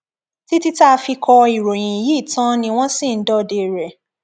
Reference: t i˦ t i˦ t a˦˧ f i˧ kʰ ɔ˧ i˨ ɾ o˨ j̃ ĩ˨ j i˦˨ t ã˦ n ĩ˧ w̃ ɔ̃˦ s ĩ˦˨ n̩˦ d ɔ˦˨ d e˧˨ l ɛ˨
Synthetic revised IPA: t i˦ t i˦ t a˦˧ f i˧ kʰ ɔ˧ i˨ ɾ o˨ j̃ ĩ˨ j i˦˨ t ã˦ n ĩ˧ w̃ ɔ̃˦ s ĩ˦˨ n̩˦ d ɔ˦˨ d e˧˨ ɾ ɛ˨